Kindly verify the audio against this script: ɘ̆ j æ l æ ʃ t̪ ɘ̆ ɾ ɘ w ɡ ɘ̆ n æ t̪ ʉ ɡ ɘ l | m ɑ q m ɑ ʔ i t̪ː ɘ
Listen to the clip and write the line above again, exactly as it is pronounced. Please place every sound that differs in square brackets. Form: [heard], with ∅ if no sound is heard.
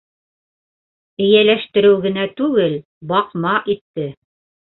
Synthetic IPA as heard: ɘ̆ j æ l æ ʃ t̪ ɘ̆ ɾ ɘ w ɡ ɘ̆ n æ t̪ ʉ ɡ ɘ l | [b] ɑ q m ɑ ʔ i t̪ː ɘ

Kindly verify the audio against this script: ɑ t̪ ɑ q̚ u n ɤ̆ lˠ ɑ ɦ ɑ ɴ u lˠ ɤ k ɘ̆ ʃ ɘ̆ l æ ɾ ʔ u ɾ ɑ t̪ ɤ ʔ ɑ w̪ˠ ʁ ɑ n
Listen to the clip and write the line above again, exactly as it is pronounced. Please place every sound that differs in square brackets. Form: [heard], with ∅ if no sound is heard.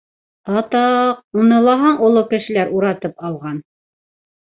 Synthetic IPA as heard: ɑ t̪ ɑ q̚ u n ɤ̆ lˠ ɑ ɦ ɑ ɴ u lˠ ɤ k ɘ̆ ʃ ɘ̆ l æ ɾ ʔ u ɾ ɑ t̪ ɤ [p] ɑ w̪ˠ ʁ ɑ n

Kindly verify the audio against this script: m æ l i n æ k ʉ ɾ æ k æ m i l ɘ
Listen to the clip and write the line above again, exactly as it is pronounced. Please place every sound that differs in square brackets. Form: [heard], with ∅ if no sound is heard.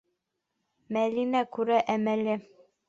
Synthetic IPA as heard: m æ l i n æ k ʉ ɾ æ [ʔ] æ m [æ] l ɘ

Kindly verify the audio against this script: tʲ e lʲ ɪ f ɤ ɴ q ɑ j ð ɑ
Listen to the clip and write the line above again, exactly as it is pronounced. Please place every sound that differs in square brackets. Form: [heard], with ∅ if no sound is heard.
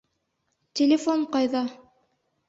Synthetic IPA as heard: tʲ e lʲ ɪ f [o] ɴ q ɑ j ð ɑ

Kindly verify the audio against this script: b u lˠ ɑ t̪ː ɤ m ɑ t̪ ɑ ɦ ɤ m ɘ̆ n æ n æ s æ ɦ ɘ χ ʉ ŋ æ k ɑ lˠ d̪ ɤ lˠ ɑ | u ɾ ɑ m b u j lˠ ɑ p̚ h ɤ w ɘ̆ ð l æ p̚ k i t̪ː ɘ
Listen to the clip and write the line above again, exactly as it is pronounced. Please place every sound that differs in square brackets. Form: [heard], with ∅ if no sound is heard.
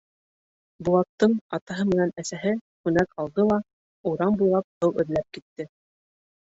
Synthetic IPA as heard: b u lˠ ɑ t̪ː ɤ [ɴ] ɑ t̪ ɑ ɦ ɤ m ɘ̆ n æ n æ s æ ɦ ɘ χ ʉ [n] æ k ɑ lˠ d̪ ɤ lˠ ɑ | u ɾ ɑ m b u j lˠ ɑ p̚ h ɤ w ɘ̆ ð l æ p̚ k i t̪ː ɘ

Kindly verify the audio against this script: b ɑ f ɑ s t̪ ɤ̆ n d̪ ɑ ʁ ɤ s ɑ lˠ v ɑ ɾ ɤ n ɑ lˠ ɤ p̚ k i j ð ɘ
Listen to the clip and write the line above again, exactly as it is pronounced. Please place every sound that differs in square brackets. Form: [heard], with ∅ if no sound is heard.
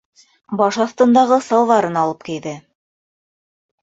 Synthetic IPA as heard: b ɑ [ʃ] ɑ [θ] t̪ ɤ̆ n d̪ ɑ ʁ ɤ s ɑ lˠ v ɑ ɾ ɤ n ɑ lˠ ɤ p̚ k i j ð ɘ

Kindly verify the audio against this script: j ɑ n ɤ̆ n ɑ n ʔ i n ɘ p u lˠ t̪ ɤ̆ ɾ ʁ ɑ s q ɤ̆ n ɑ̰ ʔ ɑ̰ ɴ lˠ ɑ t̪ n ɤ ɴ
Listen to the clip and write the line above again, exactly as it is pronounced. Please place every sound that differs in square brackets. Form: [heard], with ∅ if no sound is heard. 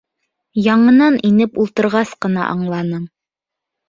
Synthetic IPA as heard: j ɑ [ɴ] ɤ̆ n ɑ n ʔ i n ɘ p u lˠ t̪ ɤ̆ ɾ ʁ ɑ s q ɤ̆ n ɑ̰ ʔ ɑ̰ ɴ lˠ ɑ [∅] n ɤ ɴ

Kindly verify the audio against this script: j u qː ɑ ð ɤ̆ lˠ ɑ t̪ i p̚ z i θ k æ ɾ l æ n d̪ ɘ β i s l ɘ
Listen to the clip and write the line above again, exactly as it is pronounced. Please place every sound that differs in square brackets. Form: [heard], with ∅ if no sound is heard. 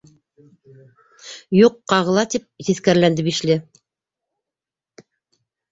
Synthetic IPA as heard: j u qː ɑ [ʁ] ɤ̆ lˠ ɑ t̪ i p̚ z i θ k æ ɾ l æ n d̪ ɘ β i [ʃ] l ɘ

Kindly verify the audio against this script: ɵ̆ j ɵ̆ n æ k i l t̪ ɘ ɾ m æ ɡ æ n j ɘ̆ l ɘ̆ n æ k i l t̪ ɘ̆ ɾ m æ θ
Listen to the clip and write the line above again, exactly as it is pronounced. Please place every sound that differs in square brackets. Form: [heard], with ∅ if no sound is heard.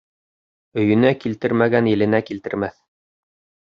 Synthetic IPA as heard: ɵ̆ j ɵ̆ n æ k i l t̪ ɘ ɾ m æ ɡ æ n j ɘ̆ l ɘ̆ n æ k i l t̪ ɘ̆ ɾ m æ θ

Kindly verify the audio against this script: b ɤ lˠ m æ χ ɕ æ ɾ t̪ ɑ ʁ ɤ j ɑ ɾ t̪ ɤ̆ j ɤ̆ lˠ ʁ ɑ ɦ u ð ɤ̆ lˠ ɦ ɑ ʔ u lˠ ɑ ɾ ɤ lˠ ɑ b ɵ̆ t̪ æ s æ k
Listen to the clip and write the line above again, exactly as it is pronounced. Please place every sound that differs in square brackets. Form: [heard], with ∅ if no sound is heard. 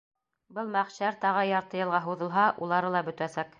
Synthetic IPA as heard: b ɤ lˠ m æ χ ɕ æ ɾ t̪ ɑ ʁ ɤ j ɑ ɾ t̪ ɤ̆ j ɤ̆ lˠ ʁ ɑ ɦ u ð ɤ̆ lˠ ɦ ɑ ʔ u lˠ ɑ ɾ ɤ lˠ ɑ b ɵ̆ t̪ æ s æ k

